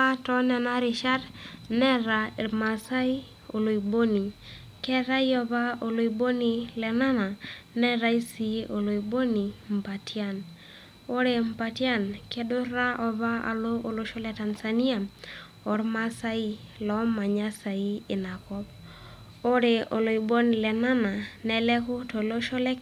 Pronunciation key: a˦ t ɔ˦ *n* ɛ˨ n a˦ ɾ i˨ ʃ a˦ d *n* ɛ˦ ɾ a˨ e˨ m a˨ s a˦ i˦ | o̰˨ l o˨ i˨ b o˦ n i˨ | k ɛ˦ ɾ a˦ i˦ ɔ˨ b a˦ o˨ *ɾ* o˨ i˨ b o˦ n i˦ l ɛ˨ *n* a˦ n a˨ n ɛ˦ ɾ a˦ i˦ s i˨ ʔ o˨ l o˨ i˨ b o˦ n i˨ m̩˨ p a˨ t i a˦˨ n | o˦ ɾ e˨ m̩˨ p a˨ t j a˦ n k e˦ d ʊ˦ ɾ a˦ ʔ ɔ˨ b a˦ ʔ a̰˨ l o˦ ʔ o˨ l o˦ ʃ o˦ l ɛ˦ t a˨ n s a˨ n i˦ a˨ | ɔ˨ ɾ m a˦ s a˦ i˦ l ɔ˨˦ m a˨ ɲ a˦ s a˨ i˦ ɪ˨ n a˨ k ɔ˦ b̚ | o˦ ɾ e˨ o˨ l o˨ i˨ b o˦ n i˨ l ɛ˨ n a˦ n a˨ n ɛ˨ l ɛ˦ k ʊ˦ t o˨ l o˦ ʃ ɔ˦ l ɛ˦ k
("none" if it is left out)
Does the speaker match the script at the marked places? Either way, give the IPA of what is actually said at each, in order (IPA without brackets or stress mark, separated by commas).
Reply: n, n, l, n